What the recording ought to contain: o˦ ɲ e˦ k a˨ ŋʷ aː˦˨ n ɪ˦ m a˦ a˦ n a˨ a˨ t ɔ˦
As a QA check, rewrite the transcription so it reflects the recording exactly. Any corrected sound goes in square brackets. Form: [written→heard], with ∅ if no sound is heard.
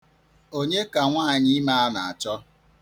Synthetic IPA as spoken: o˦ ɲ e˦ k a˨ ŋʷ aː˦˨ [n→ɲ] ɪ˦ m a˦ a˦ n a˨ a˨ [t→t͡ʃ] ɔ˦